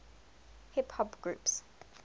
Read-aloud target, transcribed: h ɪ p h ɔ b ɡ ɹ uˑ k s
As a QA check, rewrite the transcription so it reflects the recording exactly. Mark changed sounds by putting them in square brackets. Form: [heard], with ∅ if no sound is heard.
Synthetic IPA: h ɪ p h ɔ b ɡ ɹ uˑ [p] s